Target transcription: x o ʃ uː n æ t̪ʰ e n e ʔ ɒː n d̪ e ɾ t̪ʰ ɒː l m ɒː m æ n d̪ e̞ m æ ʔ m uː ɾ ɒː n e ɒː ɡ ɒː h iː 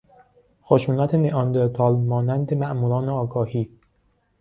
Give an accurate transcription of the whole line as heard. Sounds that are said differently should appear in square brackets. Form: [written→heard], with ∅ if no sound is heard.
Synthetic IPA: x o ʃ uː n æ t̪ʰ e n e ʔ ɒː n d̪ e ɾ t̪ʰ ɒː l m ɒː [m→n] æ n d̪ e̞ m æ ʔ m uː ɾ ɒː n e ɒː ɡ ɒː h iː